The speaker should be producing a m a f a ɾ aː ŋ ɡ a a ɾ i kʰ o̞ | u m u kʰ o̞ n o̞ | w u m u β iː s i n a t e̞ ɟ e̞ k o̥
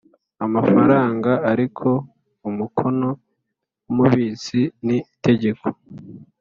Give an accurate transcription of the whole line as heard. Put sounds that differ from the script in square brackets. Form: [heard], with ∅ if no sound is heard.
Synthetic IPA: a m a f a ɾ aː ŋ ɡ a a ɾ i kʰ o̞ | u m u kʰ o̞ n o̞ | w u m u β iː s i n [i] t e̞ ɟ e̞ k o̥